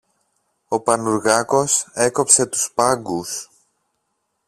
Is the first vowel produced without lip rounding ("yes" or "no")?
no